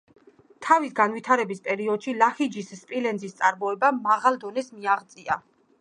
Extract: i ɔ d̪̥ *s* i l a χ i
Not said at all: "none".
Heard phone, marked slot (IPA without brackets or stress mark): ʃ